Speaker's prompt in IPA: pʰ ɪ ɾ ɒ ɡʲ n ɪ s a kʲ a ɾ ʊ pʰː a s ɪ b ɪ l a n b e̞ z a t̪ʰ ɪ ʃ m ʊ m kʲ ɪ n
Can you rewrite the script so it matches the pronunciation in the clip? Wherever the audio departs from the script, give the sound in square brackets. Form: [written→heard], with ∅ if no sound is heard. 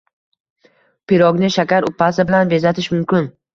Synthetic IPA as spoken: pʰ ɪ ɾ ɒ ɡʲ n ɪ [s→ʃ] a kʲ a ɾ ʊ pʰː a s ɪ b ɪ l a n b e̞ z a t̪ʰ ɪ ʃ m ʊ m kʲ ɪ n